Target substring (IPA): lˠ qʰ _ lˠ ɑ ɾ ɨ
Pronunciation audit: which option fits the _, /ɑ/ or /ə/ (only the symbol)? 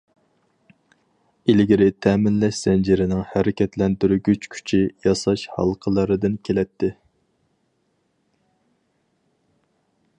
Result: ə